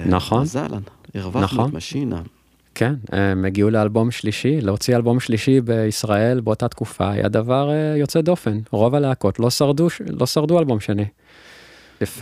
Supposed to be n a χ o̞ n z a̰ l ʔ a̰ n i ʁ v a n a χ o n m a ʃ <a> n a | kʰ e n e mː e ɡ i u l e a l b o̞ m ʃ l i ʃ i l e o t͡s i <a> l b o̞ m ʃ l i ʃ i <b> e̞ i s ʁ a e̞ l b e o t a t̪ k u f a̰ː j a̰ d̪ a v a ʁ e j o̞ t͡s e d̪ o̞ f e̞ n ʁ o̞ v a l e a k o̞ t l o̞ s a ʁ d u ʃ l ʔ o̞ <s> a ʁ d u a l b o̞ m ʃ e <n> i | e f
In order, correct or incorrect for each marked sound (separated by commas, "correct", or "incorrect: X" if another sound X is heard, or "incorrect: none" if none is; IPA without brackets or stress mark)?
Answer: incorrect: i, correct, correct, correct, correct